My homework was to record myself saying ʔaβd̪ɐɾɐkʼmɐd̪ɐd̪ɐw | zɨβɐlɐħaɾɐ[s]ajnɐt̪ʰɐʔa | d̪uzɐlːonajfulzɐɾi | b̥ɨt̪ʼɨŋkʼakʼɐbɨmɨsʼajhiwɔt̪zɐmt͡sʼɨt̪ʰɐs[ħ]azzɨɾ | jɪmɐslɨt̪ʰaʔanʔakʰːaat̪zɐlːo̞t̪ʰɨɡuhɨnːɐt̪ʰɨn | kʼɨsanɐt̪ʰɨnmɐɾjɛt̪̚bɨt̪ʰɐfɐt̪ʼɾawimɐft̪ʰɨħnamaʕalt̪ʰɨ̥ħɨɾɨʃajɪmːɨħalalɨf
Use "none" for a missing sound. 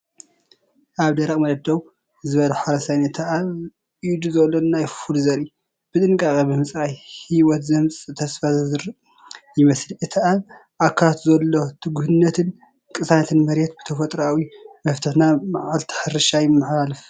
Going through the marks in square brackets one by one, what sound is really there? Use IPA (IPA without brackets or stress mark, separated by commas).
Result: s, f